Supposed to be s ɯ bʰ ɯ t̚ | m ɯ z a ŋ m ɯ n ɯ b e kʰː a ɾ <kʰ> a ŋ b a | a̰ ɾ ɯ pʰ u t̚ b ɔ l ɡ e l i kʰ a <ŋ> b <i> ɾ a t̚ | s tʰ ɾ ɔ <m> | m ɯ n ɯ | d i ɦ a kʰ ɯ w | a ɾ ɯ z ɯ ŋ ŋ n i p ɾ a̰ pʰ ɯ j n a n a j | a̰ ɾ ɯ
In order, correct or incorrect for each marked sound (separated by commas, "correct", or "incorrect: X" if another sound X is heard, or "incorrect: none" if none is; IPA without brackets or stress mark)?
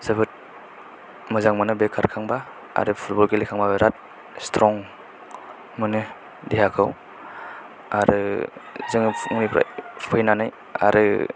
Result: correct, correct, incorrect: a, incorrect: ŋ